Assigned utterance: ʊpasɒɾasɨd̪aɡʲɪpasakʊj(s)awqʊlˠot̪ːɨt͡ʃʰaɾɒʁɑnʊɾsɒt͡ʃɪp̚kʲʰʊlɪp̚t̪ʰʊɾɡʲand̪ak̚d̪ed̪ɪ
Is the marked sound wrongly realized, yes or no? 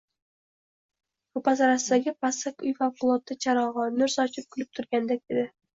yes